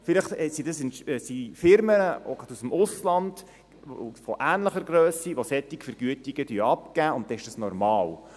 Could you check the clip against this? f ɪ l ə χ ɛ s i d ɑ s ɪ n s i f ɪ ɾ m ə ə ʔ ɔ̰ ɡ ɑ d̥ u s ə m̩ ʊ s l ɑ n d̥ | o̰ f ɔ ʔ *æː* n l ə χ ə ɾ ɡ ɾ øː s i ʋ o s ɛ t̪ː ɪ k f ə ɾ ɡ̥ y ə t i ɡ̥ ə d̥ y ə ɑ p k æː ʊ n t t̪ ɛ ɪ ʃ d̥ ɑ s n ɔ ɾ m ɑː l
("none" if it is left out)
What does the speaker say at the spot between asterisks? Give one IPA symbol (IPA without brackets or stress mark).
æː